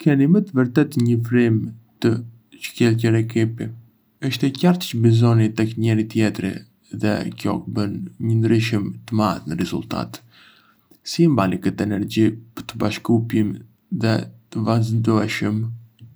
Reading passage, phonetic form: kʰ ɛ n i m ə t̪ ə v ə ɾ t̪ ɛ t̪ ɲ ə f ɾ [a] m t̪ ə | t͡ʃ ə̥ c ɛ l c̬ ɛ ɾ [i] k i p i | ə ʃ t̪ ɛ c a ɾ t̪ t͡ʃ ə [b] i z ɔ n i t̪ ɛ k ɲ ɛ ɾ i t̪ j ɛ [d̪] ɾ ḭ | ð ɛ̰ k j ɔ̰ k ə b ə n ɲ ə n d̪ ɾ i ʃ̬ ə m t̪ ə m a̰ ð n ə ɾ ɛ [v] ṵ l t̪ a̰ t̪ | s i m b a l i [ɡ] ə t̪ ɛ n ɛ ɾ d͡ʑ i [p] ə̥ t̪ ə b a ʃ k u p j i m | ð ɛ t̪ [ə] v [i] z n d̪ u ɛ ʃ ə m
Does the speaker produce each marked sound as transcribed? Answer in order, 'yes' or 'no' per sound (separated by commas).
no, no, yes, no, no, no, yes, yes, no